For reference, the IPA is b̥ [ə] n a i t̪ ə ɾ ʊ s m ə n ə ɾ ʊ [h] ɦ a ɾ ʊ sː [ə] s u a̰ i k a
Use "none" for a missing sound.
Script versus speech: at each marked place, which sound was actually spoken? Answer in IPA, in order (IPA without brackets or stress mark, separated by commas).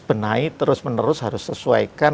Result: ə, s, ə